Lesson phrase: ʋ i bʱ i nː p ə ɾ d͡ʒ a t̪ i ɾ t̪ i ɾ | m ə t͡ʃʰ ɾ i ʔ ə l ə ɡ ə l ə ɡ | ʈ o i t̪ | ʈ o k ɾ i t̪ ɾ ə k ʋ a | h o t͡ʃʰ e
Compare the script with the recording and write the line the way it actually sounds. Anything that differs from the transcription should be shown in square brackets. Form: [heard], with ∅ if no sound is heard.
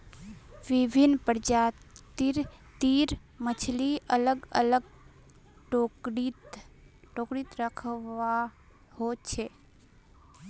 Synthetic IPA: ʋ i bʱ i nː p ə ɾ d͡ʒ a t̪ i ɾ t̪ i ɾ | m ə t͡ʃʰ [l] i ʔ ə l ə ɡ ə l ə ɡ | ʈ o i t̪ | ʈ o k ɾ i t̪ ɾ ə [kʰ] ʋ a | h o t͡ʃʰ e